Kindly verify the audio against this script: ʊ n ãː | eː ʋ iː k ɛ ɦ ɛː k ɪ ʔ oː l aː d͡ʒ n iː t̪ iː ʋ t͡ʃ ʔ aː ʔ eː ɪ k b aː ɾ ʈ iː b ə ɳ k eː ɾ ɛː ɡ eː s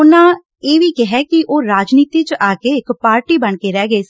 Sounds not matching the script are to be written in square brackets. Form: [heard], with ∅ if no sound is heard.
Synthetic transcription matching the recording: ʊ n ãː | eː ʋ iː k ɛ ɦ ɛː k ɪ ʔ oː [ɾ] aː d͡ʒ n iː t̪ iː [∅] t͡ʃ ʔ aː [k] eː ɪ k [p] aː ɾ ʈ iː b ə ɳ k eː ɾ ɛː ɡ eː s